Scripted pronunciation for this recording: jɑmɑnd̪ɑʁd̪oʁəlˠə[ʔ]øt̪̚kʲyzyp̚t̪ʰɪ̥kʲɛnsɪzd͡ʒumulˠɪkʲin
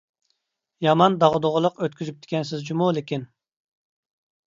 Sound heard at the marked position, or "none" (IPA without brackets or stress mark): q